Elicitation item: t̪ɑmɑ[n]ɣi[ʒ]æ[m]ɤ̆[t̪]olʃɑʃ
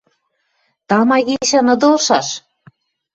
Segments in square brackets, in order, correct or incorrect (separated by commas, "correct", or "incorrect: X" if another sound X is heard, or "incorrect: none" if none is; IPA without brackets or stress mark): incorrect: none, incorrect: ʃ, incorrect: n, incorrect: d̪